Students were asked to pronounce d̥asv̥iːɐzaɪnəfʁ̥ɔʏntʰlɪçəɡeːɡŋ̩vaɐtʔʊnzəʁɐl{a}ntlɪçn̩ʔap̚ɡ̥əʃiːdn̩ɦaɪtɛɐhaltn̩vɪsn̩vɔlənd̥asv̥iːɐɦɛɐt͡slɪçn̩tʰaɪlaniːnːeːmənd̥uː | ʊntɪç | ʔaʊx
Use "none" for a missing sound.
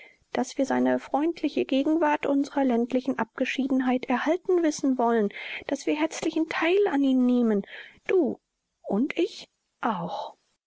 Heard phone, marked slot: ɛ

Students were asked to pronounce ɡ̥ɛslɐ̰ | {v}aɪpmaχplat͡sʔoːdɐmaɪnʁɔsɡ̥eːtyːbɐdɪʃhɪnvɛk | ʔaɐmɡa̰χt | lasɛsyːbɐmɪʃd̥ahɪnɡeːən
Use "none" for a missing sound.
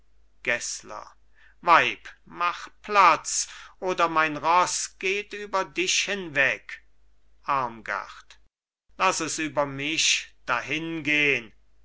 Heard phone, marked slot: v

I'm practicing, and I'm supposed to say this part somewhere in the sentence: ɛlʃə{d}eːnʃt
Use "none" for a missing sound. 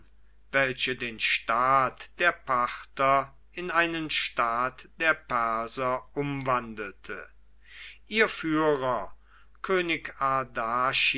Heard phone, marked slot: d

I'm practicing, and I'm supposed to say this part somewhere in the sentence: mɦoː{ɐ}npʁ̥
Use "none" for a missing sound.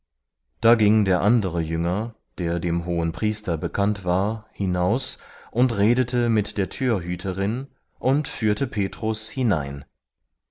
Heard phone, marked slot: ə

